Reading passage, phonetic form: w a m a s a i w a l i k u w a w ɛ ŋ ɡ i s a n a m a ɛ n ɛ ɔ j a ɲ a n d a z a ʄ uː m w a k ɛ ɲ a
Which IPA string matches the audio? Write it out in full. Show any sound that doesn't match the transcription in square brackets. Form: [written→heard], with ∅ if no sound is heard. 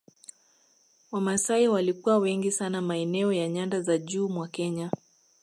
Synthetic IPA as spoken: w a m a s a i w a l i k u w a w ɛ ŋ ɡ i s a n a m a ɛ n ɛ ɔ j a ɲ a n d a z a ʄ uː m w a k ɛ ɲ a